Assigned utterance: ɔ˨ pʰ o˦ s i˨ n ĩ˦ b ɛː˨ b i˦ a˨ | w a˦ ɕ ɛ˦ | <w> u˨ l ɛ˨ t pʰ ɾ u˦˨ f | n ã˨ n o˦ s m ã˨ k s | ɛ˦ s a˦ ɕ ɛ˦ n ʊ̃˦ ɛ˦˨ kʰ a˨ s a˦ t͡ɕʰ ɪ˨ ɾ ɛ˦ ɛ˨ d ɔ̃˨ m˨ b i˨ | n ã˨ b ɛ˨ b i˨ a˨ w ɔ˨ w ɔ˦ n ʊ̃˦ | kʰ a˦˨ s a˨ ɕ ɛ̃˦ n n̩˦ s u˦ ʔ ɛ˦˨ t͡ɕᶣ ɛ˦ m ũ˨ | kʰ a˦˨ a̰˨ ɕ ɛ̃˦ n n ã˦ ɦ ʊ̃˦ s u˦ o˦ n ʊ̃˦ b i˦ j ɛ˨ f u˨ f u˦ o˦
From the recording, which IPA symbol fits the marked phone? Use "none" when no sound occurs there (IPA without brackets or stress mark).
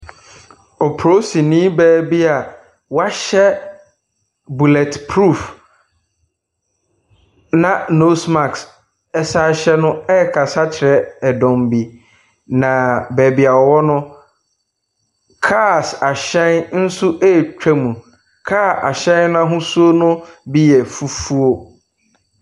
b